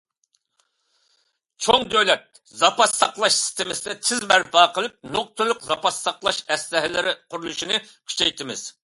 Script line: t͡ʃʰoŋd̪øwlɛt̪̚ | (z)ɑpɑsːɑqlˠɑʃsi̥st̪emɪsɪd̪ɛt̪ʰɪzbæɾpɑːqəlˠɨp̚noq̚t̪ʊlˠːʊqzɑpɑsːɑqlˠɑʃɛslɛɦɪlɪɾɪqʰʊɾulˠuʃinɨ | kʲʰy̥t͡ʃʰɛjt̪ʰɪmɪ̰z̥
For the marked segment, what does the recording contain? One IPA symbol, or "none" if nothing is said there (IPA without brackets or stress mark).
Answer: z